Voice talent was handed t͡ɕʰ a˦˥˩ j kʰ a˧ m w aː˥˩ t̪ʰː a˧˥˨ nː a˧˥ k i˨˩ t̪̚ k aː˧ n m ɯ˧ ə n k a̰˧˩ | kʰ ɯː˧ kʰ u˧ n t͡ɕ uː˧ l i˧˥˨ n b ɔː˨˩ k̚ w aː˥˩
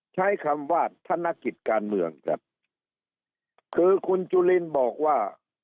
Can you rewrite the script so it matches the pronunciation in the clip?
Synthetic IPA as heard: t͡ɕʰ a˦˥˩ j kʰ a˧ m w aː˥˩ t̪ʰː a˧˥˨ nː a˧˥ k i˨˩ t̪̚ k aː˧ n m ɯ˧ ə ŋ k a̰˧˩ | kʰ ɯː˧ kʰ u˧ n t͡ɕ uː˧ l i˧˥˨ n b ɔː˨˩ k̚ w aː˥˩